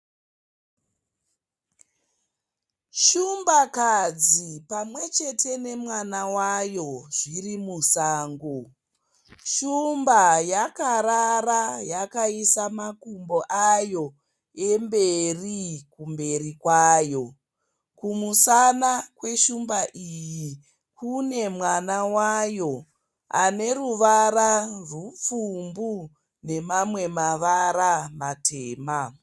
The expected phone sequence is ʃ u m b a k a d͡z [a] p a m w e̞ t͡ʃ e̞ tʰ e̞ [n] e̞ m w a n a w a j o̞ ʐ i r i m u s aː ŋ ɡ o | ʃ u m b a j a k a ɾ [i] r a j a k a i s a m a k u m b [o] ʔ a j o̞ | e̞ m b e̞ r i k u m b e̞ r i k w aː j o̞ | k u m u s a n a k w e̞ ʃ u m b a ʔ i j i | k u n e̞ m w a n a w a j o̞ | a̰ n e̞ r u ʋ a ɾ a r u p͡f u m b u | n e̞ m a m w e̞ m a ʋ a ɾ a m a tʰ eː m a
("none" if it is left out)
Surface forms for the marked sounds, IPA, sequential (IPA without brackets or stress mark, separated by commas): i, n, a, o